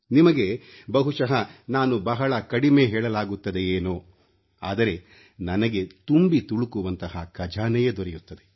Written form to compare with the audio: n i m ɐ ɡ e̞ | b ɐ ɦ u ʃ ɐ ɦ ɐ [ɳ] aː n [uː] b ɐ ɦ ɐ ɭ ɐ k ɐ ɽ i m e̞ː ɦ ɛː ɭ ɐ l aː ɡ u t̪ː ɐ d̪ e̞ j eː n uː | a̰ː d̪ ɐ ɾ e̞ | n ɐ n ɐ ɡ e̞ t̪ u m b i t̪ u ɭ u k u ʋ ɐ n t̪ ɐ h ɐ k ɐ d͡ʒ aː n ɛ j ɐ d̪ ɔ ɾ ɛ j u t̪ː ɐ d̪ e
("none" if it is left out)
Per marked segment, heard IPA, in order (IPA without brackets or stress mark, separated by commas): n, u